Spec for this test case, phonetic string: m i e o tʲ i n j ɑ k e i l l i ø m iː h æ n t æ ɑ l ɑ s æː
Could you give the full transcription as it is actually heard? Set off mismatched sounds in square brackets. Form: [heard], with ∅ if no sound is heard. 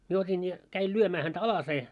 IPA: m i e o tʲ i n j ɑ k [æ] i l l [y] ø m [æː] h æ n t æ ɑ l ɑ s [eː]